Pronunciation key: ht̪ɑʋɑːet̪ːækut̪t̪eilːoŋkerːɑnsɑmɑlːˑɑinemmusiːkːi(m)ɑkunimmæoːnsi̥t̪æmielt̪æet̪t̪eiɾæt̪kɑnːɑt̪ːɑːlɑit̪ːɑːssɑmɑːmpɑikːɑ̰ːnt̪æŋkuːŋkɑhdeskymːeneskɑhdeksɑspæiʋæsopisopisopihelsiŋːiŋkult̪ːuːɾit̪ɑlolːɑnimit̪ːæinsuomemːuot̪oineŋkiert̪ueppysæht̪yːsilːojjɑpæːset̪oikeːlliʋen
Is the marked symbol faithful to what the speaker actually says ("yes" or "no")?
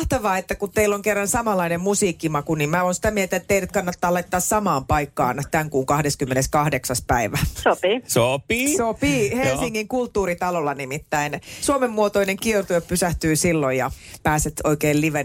yes